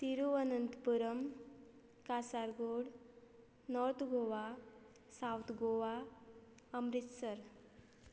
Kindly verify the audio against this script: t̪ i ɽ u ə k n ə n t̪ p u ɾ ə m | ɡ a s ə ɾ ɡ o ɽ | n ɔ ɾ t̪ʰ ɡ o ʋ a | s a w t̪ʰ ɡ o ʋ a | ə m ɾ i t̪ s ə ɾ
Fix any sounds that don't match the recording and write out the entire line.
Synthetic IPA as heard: t̪ i ɾ u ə n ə n t̪ p u ɾ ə m | k a s a ɾ ɡ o ɽ | n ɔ ɾ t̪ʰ ɡ o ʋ a | s a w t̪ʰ ɡ o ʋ a | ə m ɾ i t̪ s ə ɾ